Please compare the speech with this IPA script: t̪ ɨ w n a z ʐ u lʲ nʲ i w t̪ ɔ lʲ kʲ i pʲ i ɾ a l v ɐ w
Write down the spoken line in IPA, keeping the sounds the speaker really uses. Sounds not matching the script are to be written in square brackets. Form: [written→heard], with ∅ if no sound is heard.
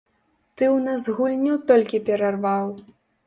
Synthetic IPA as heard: t̪ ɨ w n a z [ʐ→ɣ] u lʲ nʲ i w t̪ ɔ lʲ kʲ i pʲ [i→ɛ] ɾ a [l→r] v [ɐ→a] w